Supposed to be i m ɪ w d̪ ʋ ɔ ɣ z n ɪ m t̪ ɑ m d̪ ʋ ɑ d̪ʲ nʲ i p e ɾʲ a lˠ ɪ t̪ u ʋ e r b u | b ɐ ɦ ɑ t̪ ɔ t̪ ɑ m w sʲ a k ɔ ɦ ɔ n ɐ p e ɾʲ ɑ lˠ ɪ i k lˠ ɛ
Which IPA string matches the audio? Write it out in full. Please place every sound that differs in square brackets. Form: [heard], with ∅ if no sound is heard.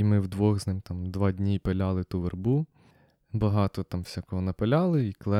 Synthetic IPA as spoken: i m ɪ w d̪ ʋ ɔ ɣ z n ɪ m t̪ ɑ m d̪ ʋ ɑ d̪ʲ nʲ i p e [lʲ] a lˠ ɪ t̪ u ʋ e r b u | b ɐ ɦ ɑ t̪ ɔ t̪ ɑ m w sʲ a k ɔ ɦ ɔ n ɐ p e [lʲ] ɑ lˠ ɪ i k lˠ ɛ